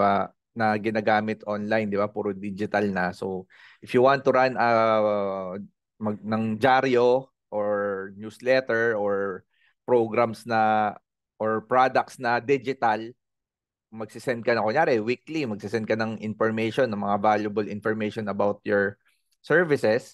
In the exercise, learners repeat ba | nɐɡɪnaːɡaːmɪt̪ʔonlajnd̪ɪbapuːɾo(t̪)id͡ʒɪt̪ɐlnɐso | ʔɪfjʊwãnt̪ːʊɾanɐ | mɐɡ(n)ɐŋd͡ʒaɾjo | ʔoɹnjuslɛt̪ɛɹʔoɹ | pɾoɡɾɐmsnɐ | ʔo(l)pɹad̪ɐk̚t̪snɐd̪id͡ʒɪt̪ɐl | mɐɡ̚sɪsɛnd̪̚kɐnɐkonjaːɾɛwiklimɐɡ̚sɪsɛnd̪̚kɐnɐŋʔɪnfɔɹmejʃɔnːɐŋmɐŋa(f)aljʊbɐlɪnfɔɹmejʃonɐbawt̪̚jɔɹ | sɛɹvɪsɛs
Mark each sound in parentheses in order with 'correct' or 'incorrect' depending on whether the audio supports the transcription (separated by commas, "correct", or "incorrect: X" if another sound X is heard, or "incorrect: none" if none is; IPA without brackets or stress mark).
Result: incorrect: d̪, correct, incorrect: ɹ, incorrect: v